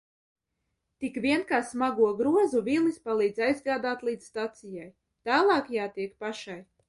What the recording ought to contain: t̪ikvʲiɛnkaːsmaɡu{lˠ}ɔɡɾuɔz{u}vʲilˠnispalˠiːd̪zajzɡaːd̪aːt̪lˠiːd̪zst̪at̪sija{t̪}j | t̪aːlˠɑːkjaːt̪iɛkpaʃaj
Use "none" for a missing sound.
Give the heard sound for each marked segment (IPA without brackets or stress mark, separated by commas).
none, u, none